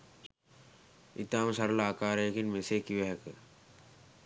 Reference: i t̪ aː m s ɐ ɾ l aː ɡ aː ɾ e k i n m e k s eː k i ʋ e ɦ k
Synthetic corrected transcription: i t̪ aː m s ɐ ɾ l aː k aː ɾ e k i n m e s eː k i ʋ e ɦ k